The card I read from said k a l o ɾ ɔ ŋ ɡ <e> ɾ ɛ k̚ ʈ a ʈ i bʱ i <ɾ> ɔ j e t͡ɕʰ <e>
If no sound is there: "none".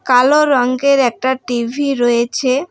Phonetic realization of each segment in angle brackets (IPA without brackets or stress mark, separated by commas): e, ɾ, e